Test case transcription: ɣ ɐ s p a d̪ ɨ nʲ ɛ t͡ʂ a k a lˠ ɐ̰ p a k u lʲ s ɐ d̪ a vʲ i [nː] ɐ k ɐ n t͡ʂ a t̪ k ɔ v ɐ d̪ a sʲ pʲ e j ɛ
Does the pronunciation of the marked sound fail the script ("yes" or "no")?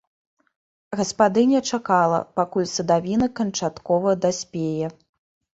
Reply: yes